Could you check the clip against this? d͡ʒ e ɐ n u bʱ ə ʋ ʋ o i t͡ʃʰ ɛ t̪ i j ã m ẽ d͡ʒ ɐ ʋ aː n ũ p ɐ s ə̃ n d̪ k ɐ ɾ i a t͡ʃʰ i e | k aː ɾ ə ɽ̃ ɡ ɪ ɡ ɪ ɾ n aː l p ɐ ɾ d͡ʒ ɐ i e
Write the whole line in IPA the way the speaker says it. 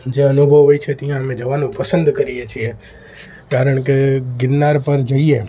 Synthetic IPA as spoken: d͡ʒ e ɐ n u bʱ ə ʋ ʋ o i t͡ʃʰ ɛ t̪ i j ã m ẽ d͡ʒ ɐ ʋ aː n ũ p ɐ s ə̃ n d̪ k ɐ ɾ i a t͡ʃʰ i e | k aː ɾ ə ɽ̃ k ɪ ɡ ɪ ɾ n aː ɾ p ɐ ɾ d͡ʒ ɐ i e